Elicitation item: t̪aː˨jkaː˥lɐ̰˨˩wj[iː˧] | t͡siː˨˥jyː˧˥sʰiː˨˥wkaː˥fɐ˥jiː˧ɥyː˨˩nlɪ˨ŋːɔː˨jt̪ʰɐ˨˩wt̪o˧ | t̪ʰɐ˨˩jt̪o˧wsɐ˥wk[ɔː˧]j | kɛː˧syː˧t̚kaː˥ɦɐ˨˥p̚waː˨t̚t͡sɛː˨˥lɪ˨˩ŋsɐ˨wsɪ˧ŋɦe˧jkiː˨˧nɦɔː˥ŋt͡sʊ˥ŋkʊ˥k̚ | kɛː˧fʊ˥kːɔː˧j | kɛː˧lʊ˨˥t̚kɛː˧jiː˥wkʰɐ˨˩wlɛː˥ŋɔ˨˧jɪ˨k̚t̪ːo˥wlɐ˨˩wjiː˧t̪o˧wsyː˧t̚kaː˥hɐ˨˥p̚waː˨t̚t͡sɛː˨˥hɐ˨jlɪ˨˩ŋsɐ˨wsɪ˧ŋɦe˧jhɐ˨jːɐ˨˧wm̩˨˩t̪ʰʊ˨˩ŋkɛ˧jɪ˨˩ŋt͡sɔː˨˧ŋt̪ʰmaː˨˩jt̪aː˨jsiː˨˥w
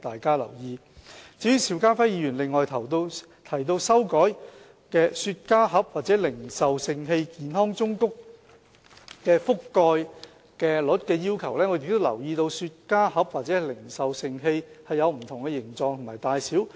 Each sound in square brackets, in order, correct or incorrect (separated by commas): correct, incorrect